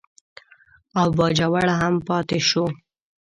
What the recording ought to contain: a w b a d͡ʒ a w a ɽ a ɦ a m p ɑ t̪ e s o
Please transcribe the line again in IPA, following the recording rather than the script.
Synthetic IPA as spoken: a w b ɑ d͡ʒ a w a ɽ a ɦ a m p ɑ t̪ e ʃ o

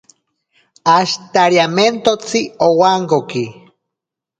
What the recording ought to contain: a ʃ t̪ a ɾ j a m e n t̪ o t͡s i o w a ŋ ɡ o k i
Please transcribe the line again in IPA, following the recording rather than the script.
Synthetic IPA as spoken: a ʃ t̪ a ɾ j a m e n t̪ o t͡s i o w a ŋ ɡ o k i

